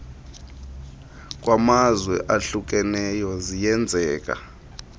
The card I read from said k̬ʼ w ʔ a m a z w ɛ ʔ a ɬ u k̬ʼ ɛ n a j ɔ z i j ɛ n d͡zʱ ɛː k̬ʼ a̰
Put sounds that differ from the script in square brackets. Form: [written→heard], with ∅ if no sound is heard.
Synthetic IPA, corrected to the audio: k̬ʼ w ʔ a m a z w ɛ ʔ a ɬ u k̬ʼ ɛ n [a→ɛ] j ɔ z i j ɛ n d͡zʱ ɛː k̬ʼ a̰